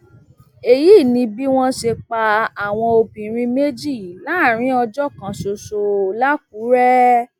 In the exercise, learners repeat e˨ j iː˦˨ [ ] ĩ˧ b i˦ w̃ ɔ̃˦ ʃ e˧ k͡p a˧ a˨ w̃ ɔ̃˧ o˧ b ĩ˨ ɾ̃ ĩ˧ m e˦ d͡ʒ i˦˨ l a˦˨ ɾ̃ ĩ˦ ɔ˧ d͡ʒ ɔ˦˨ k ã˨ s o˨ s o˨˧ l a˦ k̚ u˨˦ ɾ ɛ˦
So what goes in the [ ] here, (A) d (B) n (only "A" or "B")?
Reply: B